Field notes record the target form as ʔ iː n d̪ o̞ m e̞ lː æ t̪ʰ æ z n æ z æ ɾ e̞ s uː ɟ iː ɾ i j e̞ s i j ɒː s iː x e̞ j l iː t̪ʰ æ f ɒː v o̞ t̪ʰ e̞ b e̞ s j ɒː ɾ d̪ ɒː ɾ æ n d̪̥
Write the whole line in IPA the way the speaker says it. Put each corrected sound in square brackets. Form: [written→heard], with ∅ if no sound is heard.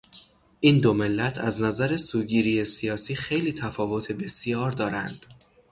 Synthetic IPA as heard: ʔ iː n d̪ o̞ m e̞ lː æ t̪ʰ æ z n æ z æ ɾ e̞ s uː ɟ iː ɾ i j e̞ s i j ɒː s iː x e̞ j l iː t̪ʰ æ f ɒː v o̞ t̪ʰ e̞ b e̞ s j ɒː ɾ d̪ ɒː ɾ æ n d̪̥